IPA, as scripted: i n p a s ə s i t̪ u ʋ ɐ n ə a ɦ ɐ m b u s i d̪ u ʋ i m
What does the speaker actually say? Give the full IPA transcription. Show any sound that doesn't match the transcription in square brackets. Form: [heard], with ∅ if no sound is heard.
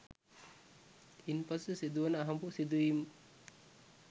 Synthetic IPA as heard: i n p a s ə s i [d̪] u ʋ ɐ n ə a ɦ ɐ m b u s i d̪ u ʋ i m